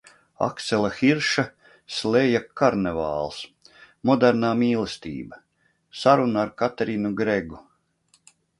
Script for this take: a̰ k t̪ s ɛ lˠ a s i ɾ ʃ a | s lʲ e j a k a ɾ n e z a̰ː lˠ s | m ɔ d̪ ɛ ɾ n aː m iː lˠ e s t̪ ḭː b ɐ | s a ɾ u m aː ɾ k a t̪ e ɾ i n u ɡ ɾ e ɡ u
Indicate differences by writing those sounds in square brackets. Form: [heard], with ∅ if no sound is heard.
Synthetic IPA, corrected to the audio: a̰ k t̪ s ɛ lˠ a [x] i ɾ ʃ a | s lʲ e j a k a ɾ n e [v] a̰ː lˠ s | m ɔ d̪ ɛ ɾ n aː m iː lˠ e s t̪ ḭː b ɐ | s a ɾ u [n] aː ɾ k a t̪ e ɾ i n u ɡ ɾ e ɡ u

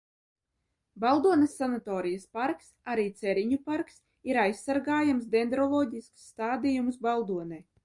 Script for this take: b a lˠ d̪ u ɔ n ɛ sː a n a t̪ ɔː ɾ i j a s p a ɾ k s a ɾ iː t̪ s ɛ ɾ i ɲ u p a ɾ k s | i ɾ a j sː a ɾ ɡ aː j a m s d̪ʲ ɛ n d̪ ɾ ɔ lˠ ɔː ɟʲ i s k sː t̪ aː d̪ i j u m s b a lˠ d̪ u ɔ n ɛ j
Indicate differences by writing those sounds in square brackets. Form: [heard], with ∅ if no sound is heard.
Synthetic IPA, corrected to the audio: b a lˠ d̪ u ɔ n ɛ sː a n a t̪ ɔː ɾ i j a s p a ɾ k s a ɾ iː t̪ s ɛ ɾ i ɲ u p a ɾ k s | i ɾ a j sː a ɾ ɡ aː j a m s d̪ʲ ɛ n d̪ ɾ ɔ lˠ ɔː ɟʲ i s k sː t̪ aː d̪ i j u m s b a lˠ d̪ u ɔ n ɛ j

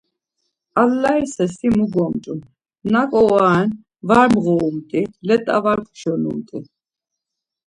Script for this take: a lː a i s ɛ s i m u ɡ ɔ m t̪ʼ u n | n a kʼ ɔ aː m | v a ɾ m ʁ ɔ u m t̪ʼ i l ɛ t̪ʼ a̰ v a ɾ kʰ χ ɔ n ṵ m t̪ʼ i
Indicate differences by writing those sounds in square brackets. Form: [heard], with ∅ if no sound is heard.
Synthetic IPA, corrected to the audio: a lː a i s ɛ s i m u ɡ ɔ m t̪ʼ u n | n a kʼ ɔ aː [n] | v a ɾ m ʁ ɔ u m t̪ʼ i l ɛ t̪ʼ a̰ v a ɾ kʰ [ʃ] ɔ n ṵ m t̪ʼ i

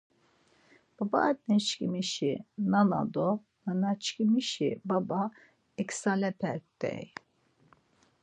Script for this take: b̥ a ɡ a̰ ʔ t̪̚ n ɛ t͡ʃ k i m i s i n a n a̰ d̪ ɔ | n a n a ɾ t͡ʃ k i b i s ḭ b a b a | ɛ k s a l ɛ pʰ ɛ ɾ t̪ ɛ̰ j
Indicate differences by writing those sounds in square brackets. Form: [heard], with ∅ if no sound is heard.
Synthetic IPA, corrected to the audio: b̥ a [b] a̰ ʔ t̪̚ n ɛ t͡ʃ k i m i [ʃ] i n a n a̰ d̪ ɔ | n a n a [∅] t͡ʃ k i [m] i [ʃ] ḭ b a b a | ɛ k s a l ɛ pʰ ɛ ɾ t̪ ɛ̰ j

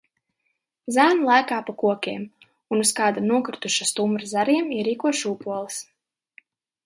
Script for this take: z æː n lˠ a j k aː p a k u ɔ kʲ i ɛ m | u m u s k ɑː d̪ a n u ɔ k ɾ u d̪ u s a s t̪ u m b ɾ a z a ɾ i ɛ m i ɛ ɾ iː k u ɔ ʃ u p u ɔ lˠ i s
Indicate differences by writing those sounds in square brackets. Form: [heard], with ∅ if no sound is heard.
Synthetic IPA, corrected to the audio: z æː n lˠ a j k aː p a k u ɔ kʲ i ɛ m | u [n] u s k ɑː d̪ a n u ɔ k ɾ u [t̪] u [ʃ] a s t̪ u m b ɾ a z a ɾ i ɛ m i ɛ ɾ iː k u ɔ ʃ u p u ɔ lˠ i s

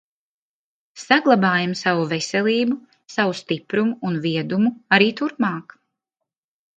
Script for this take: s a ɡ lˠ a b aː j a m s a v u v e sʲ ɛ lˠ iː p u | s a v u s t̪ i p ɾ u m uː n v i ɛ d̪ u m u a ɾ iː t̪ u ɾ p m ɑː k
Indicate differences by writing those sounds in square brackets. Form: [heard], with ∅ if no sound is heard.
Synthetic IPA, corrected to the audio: s a ɡ lˠ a b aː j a m s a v u v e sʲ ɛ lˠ iː [b] u | s a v u s t̪ i p ɾ u m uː n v i ɛ d̪ u m u a ɾ iː t̪ u ɾ p m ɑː k

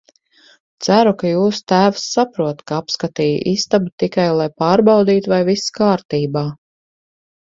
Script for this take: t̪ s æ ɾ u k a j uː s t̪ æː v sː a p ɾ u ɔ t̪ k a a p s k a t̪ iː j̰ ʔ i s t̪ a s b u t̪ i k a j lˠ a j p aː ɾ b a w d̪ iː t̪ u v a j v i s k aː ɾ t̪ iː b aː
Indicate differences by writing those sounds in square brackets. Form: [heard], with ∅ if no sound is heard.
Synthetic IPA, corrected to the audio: t̪ s æ ɾ u k a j uː s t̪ æː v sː a p ɾ u ɔ t̪ k a a p s k a t̪ iː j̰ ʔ i s t̪ a [∅] b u t̪ i k a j lˠ a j p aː ɾ b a w d̪ iː t̪ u v a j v i s k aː ɾ t̪ iː b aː

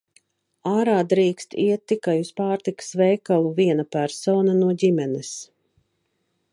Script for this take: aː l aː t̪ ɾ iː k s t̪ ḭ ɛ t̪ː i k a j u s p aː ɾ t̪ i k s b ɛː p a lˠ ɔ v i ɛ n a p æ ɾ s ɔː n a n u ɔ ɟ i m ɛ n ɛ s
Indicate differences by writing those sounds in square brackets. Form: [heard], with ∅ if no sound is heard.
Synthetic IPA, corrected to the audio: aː [ɾ] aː [d̪] ɾ iː k s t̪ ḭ ɛ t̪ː i k a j u s p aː ɾ t̪ i k s [v] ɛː [k] a lˠ [u] v i ɛ n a p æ ɾ s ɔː n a n u ɔ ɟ i m ɛ n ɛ s

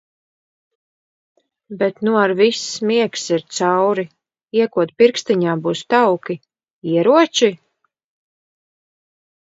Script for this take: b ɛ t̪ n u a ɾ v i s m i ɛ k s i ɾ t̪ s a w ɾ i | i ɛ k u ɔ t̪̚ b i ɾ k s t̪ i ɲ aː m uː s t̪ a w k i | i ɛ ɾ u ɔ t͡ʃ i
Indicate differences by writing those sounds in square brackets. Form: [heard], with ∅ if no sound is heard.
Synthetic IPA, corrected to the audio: b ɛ t̪ n u a ɾ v i s m i ɛ k s i ɾ t̪ s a w ɾ i | i ɛ k u ɔ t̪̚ [p] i ɾ k s t̪ i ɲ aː [b] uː s t̪ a w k i | i ɛ ɾ u ɔ t͡ʃ i

